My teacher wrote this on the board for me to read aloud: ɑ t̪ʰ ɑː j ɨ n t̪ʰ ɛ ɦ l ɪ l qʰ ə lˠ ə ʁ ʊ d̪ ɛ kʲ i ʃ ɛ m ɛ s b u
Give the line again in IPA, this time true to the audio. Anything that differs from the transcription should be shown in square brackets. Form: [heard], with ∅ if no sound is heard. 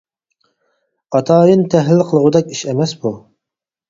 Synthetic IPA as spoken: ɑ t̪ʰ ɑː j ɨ n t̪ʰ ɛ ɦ l ɪ l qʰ ə lˠ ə ʁ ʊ d̪ ɛ kʲ i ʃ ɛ m ɛ s b u